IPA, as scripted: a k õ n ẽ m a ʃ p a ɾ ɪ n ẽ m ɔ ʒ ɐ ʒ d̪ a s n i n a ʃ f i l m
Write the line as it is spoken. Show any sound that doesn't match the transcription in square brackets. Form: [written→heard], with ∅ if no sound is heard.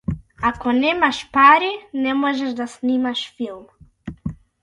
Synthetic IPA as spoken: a k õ n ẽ m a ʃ p a ɾ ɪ n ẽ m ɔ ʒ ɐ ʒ d̪ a s n i [n→m] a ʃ f i l m

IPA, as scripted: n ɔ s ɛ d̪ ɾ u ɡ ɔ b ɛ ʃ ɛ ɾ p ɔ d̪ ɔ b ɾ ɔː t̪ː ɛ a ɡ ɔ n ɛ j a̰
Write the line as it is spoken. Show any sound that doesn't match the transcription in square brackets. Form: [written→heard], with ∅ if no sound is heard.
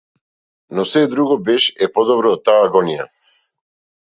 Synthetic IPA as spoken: n ɔ s ɛ d̪ ɾ u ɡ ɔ b ɛ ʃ ɛ [ɾ→∅] p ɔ d̪ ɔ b ɾ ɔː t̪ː [ɛ→a] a ɡ ɔ n [ɛ→i] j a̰

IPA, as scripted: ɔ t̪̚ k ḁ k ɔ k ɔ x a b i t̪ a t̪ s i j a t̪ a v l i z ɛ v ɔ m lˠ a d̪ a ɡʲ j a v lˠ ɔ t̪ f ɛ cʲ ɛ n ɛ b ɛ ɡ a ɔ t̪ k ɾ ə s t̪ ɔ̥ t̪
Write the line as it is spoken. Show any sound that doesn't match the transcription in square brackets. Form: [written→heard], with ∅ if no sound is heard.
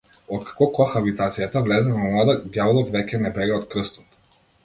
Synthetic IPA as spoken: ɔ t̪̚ k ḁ k ɔ k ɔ x a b i t̪ a t̪ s i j a t̪ a v l [i→ɛ] z ɛ v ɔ m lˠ a d̪ a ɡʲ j a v lˠ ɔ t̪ [f→v] ɛ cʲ ɛ n ɛ b ɛ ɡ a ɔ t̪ k ɾ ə s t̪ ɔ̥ t̪

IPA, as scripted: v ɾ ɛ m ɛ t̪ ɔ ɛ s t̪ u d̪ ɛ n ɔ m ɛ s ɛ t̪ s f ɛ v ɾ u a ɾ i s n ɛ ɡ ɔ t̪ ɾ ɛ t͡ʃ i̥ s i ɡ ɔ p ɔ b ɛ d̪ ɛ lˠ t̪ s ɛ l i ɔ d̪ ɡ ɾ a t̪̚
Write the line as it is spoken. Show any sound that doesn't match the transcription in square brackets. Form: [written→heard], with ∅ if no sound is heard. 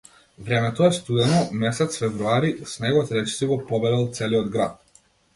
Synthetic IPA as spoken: v ɾ ɛ m ɛ t̪ ɔ ɛ s t̪ u d̪ ɛ n ɔ m ɛ s ɛ t̪ s f ɛ v ɾ u a ɾ i s n ɛ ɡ ɔ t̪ ɾ ɛ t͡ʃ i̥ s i ɡ ɔ p ɔ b ɛ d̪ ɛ lˠ t̪ s ɛ l i ɔ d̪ ɡ ɾ a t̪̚

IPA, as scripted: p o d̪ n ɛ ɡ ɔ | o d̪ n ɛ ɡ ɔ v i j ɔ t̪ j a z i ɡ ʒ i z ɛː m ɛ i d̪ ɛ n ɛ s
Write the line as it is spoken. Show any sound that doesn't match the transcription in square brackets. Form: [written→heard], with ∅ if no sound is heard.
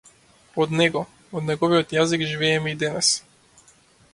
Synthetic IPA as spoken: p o d̪ n ɛ ɡ ɔ | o d̪ n ɛ ɡ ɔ v i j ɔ t̪ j a z i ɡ ʒ i [z→v] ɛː m ɛ i d̪ ɛ n ɛ s

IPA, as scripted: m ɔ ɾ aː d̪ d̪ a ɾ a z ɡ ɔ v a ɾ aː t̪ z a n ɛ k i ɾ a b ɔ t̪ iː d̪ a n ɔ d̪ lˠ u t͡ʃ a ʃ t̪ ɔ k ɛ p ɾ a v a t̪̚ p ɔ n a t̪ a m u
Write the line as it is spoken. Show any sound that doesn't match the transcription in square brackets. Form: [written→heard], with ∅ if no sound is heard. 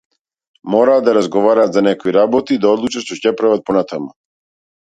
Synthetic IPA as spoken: m ɔ ɾ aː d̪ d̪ a ɾ a z ɡ ɔ v a ɾ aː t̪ z a n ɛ k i ɾ a b ɔ t̪ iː d̪ a [n→∅] ɔ d̪ lˠ u t͡ʃ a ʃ t̪ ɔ [k→c] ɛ p ɾ a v a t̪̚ p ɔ n a t̪ a m u

